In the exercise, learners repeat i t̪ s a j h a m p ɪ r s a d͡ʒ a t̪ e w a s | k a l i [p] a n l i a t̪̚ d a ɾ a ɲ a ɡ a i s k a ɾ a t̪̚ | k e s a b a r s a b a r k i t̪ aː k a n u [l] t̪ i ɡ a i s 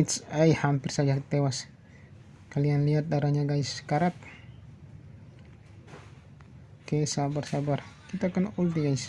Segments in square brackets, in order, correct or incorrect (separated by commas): incorrect, correct